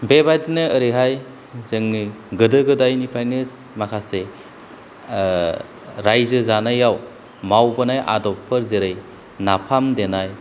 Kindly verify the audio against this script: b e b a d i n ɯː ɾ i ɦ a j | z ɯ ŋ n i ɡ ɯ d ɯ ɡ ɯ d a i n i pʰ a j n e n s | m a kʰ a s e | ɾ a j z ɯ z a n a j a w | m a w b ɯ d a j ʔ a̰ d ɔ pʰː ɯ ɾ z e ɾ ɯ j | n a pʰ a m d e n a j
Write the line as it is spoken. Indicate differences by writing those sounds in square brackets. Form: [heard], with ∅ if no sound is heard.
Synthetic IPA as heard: b e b a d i n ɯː ɾ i ɦ a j | z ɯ ŋ n i ɡ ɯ d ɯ ɡ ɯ d a [j] n i pʰ a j n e [∅] s | m a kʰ a s e | ɾ a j z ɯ z a n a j a w | m a w b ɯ [n] a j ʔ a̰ d ɔ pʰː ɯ ɾ z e ɾ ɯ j | n a pʰ a m d e n a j